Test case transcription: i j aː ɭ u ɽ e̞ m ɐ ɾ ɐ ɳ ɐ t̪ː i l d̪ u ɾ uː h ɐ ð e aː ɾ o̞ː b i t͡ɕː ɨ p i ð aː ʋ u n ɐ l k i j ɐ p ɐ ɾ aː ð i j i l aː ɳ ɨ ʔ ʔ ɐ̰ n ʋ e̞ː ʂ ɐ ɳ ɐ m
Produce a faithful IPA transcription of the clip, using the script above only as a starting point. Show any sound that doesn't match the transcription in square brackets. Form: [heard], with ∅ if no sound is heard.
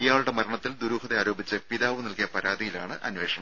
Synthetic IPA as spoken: i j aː ɭ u ɽ e̞ m ɐ ɾ ɐ ɳ ɐ t̪ː i l d̪ u ɾ uː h ɐ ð e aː ɾ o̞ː b i t͡ɕː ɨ p i ð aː ʋ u n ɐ l k i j ɐ p ɐ ɾ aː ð i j i l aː ɳ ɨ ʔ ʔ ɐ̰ n ʋ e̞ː ʂ ɐ ɳ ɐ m